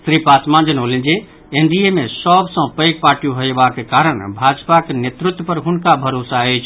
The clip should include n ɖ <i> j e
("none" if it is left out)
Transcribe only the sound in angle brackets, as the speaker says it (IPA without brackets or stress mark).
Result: i